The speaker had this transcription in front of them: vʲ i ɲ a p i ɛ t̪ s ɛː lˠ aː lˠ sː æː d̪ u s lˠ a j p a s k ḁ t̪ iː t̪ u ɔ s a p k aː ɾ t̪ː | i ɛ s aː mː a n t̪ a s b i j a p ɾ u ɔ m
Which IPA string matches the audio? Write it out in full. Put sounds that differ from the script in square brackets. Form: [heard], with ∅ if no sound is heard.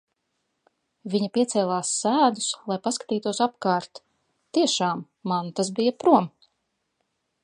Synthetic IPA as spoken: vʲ i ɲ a p i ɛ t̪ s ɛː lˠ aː [∅] sː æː d̪ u s lˠ a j p a s k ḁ t̪ iː t̪ u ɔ s a p k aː ɾ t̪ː | i ɛ [ʃ] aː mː a n t̪ a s b i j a p ɾ u ɔ m

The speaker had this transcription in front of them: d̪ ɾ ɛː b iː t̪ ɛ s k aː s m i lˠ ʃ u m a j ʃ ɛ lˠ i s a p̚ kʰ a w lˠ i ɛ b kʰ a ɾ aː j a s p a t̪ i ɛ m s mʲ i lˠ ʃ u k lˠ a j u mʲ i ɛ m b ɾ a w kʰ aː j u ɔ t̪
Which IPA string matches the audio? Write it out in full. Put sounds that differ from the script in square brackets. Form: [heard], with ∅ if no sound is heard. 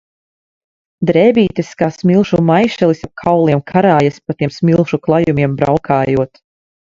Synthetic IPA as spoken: d̪ ɾ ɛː b iː t̪ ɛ s k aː s m i lˠ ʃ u m a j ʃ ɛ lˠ i s a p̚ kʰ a w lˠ i ɛ [m] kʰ a ɾ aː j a s p a t̪ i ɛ m s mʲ i lˠ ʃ u k lˠ a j u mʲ i ɛ m b ɾ a w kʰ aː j u ɔ t̪

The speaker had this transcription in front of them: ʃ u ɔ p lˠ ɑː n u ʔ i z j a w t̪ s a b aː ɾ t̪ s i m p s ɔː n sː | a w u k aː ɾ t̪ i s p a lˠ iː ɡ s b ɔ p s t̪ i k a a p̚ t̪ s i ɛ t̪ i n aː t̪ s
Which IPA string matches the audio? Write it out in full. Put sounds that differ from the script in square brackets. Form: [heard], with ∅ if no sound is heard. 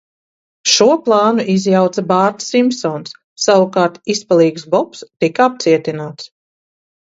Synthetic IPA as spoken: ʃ u ɔ p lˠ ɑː n u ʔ i z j a w t̪ s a b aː ɾ t̪ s i m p s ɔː n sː | a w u k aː ɾ t̪ i s p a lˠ iː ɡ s b ɔ p s t̪ i k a a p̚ t̪ s i ɛ t̪ i n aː t̪ s

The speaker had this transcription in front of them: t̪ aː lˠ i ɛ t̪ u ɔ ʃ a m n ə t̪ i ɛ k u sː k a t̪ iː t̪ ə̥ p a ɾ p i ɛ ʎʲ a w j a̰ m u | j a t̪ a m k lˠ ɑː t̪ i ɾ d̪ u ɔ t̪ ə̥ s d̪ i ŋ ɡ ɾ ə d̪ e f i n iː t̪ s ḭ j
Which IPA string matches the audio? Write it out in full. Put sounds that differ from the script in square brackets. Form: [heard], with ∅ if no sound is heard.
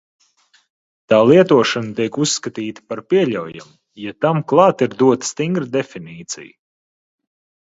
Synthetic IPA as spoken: t̪ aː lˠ i ɛ t̪ u ɔ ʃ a [∅] n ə t̪ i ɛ k u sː k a t̪ iː t̪ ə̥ p a ɾ p i ɛ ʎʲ a w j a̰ m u | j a t̪ a m k lˠ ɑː t̪ i ɾ d̪ u ɔ t̪ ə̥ s [t̪] i ŋ ɡ ɾ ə d̪ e f i n iː t̪ s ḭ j

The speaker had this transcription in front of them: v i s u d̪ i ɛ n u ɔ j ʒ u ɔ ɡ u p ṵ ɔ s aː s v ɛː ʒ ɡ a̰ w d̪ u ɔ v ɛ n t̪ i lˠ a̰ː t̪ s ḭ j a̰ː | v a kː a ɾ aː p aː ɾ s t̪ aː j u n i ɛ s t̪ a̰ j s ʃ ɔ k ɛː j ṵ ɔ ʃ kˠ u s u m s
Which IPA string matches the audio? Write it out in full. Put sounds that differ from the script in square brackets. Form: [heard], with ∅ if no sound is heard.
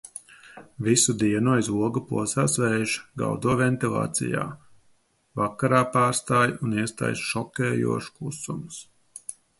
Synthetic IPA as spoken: v i s u d̪ i ɛ n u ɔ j [z] u ɔ ɡ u p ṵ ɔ s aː s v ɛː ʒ ɡ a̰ w d̪ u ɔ v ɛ n t̪ i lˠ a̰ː t̪ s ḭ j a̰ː | v a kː a ɾ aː p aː ɾ s t̪ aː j u n i ɛ s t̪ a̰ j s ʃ ɔ k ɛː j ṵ ɔ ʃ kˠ u s u m s

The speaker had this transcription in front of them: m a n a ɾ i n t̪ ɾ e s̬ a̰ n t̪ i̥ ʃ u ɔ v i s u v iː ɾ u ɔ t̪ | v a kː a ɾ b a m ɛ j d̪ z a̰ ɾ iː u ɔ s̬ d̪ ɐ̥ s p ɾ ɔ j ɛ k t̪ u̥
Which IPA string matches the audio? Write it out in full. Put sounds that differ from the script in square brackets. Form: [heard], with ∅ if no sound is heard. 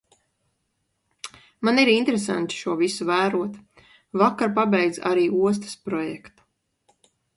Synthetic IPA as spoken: m a n [i] ɾ i n t̪ ɾ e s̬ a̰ n t̪ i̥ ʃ u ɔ v i s u v [æː] ɾ u ɔ t̪ | v a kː a ɾ [p] a [b] ɛ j d̪ z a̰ ɾ iː u ɔ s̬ [t̪] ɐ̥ s p ɾ ɔ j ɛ k t̪ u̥

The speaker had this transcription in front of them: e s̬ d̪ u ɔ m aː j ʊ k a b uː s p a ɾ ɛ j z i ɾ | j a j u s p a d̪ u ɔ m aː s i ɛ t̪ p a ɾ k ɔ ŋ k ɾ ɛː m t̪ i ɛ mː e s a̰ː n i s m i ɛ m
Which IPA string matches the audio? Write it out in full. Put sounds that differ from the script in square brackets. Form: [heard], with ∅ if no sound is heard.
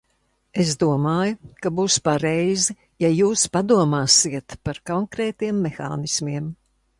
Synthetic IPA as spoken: e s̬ d̪ u ɔ m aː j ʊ k a b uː s p a ɾ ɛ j z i [∅] | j a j [uː] s p a d̪ u ɔ m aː s i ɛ t̪ p a ɾ k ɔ ŋ k ɾ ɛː [∅] t̪ i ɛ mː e [x] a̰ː n i s m i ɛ m

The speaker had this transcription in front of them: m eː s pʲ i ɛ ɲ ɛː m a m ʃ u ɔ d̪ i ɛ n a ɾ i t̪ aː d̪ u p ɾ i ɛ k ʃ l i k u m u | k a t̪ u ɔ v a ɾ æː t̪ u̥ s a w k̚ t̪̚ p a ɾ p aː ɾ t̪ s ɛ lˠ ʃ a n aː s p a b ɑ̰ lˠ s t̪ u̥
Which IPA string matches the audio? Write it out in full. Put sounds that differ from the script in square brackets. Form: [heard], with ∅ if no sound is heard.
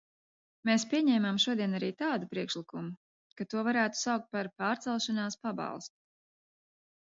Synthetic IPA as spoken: m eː s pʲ i ɛ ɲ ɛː m a m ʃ u ɔ d̪ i ɛ n a ɾ [iː] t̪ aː d̪ u p ɾ i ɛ k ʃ l i k u m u | k a t̪ u ɔ v a ɾ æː t̪ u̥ s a w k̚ t̪̚ p a ɾ p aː ɾ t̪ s ɛ lˠ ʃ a n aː s p a b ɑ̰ lˠ s t̪ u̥

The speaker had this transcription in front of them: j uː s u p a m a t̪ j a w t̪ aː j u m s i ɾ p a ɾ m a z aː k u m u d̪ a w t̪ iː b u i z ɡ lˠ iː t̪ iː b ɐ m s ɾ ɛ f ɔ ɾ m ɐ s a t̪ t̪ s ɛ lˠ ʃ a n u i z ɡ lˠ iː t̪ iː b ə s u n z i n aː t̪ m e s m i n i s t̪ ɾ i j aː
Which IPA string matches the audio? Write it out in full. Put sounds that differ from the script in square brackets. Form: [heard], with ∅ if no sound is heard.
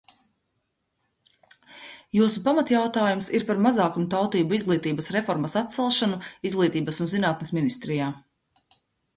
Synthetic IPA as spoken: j uː s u p a m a t̪ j a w t̪ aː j u m s i ɾ p a ɾ m a z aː k u m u [t̪] a w t̪ iː b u i z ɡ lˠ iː t̪ iː b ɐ [∅] s ɾ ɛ f ɔ ɾ m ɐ s a t̪ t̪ s ɛ lˠ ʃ a n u i z ɡ lˠ iː t̪ iː b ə s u n z i n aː t̪ [n] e s m i n i s t̪ ɾ i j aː

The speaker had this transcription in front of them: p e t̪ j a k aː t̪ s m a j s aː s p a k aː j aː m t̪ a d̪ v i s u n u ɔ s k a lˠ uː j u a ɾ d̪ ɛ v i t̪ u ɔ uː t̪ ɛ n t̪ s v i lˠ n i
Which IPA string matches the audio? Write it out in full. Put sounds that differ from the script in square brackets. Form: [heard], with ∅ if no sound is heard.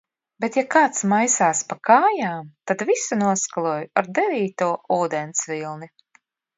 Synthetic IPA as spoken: [b] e t̪ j a k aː t̪ s m a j s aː s p a k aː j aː m t̪ a d̪ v i s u n u ɔ s k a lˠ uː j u a ɾ d̪ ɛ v [iː] t̪ u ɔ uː [d̪] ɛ n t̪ s v i lˠ n i

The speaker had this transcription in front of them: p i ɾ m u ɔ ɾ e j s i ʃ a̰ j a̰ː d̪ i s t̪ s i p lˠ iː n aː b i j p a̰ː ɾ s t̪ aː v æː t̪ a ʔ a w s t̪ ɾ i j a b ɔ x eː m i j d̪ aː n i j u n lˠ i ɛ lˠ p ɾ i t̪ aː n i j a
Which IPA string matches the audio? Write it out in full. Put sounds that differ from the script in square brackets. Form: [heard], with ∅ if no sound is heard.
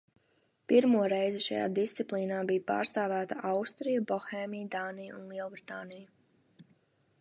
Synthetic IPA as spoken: p i ɾ m u ɔ ɾ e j [z] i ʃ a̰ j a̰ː d̪ i s t̪ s i p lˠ iː n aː b i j p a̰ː ɾ s t̪ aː v æː t̪ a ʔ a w s t̪ ɾ i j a b ɔ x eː m i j d̪ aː n i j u n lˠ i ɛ lˠ [b] ɾ i t̪ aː n i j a

